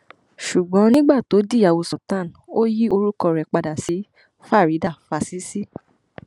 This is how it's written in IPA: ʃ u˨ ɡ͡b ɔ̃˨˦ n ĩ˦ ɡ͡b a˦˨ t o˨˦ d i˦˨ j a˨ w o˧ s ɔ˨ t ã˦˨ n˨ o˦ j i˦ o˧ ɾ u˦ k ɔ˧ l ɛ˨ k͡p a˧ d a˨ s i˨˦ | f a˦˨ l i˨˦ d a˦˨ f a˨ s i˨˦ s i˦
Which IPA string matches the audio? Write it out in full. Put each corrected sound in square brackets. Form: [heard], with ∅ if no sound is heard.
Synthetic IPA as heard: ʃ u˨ ɡ͡b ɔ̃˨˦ n ĩ˦ ɡ͡b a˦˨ t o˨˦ d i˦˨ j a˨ w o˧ s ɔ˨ t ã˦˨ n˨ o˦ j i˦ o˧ ɾ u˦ k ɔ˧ [ɾ] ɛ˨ k͡p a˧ d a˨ s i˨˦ | f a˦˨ [ɾ] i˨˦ d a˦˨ f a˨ s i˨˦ s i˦